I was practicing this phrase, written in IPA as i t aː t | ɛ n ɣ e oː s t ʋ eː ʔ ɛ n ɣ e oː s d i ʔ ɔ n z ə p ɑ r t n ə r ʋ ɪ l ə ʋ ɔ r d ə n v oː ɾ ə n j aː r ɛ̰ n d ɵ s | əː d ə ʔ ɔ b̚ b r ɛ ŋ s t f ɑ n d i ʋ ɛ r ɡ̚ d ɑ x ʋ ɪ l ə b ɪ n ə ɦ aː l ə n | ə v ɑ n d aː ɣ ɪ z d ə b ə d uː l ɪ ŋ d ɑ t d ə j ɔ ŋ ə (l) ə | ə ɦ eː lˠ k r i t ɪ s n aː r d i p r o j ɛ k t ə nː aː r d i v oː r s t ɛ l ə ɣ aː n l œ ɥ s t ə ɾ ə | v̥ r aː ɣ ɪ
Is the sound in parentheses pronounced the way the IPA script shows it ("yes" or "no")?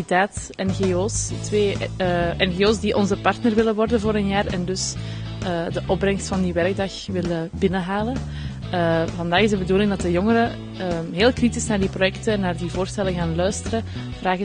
no